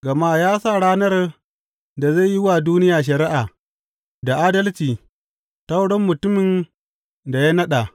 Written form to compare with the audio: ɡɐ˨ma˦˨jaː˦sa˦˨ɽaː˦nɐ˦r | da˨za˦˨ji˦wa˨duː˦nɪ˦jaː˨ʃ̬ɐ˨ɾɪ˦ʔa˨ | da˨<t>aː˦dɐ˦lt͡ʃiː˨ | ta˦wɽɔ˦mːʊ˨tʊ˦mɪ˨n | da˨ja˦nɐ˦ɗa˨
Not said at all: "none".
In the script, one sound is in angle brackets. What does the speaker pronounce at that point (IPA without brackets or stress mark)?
ʔ